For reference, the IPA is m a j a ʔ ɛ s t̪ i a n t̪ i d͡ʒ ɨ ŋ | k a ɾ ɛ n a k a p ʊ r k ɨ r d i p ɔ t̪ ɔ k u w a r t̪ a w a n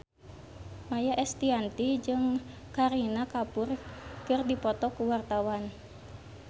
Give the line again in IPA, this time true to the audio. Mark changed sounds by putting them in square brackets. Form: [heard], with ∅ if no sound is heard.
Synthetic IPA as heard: m a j a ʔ ɛ s t̪ i a n t̪ i d͡ʒ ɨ ŋ | k a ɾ [i] n a k a p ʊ r k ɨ r d i p ɔ t̪ ɔ k u w a r t̪ a w a n